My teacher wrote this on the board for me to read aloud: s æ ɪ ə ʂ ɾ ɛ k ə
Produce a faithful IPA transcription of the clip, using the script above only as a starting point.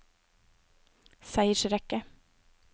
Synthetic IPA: s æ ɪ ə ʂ ɾ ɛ k ə